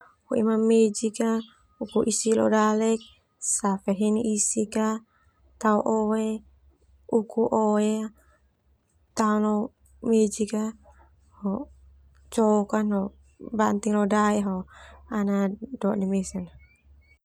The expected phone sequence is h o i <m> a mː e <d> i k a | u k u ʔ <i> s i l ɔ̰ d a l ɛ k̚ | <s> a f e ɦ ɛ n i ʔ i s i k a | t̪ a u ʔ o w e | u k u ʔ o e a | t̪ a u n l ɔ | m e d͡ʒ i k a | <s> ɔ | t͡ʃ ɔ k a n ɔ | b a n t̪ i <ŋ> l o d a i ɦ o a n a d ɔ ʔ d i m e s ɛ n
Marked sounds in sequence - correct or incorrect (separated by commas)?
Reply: correct, incorrect, correct, correct, incorrect, correct